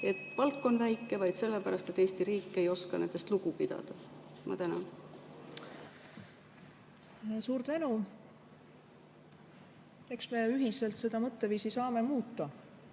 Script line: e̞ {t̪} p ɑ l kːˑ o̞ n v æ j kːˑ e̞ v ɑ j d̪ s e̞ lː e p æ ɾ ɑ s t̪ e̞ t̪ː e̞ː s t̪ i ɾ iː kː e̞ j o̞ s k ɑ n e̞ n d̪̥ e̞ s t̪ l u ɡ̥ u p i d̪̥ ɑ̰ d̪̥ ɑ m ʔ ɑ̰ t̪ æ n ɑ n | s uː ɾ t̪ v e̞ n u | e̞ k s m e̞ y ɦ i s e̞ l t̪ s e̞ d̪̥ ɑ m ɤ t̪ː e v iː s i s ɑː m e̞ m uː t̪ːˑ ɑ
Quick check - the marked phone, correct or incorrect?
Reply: correct